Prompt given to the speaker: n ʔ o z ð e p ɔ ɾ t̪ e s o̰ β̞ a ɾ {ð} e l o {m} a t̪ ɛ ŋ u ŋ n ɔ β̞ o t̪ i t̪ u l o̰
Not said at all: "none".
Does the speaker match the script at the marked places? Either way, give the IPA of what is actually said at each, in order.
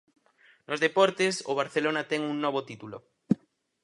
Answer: θ, n

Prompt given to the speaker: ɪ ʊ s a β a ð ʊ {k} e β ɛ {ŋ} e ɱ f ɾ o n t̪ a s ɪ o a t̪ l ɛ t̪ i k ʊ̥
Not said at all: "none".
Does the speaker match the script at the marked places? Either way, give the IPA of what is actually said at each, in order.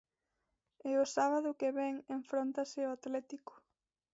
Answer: k, ŋ

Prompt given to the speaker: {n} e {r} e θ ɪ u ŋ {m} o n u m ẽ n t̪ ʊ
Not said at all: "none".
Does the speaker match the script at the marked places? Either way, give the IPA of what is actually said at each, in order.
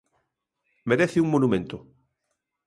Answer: m, ɾ, m

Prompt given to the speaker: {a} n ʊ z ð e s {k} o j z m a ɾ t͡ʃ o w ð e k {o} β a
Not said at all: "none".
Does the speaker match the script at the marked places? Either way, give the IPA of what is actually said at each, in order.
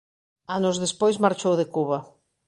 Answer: a, p, u

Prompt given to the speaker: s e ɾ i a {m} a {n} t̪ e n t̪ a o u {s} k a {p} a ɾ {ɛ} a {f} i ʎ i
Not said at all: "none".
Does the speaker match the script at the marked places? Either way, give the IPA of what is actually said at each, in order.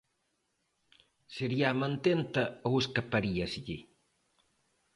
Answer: m, n, s, p, i, s

